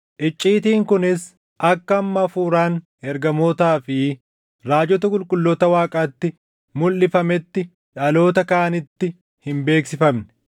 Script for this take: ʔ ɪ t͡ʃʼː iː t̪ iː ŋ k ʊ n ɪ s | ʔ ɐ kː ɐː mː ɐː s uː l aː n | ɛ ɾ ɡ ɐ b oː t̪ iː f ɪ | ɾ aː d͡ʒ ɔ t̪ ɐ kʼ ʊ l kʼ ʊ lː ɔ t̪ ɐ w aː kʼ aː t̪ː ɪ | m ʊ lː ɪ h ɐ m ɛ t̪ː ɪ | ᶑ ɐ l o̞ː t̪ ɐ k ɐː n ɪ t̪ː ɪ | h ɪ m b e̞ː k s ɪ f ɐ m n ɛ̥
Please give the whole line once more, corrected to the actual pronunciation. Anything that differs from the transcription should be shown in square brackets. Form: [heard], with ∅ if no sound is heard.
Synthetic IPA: ʔ ɪ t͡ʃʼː iː t̪ iː ŋ k ʊ n ɪ s | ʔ ɐ kː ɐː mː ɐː [f] uː [ɾ] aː n | ɛ ɾ ɡ ɐ [m] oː t̪ [aː] f ɪ | ɾ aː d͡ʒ ɔ t̪ ɐ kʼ ʊ l kʼ ʊ lː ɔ t̪ ɐ w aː kʼ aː t̪ː ɪ | m ʊ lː ɪ [f] ɐ m ɛ t̪ː ɪ | ᶑ ɐ l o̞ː t̪ ɐ k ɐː n ɪ t̪ː ɪ | h ɪ m b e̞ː k s ɪ f ɐ m n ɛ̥